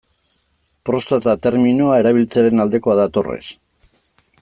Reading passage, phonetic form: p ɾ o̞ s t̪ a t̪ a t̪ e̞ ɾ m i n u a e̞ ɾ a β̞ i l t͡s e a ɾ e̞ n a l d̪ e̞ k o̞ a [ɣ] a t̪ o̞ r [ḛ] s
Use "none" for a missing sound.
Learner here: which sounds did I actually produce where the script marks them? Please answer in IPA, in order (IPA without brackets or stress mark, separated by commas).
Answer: ð, ḛ